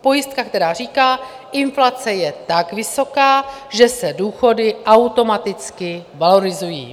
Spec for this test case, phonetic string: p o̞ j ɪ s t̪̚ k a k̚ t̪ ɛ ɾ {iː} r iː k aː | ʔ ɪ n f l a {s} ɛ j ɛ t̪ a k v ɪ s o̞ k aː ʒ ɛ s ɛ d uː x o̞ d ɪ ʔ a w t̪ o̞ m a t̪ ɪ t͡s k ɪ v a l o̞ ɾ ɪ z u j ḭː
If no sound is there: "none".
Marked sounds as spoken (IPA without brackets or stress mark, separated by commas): aː, t͡s